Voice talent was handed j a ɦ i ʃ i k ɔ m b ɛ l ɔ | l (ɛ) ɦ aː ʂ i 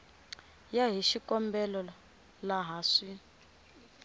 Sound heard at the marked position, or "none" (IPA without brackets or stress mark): a